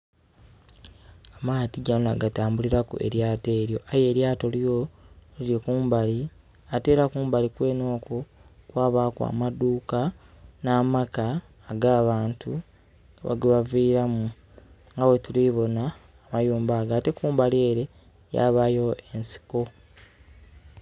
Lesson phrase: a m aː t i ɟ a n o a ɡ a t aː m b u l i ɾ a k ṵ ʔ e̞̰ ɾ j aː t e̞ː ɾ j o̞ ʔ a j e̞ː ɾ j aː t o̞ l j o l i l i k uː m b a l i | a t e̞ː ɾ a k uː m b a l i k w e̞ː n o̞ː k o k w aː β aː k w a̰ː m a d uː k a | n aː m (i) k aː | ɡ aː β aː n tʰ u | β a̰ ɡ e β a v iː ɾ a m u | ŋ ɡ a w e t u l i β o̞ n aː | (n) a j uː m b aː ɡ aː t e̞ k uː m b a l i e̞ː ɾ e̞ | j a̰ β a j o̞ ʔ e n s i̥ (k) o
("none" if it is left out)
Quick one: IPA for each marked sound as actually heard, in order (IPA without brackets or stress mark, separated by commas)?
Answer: a, m, k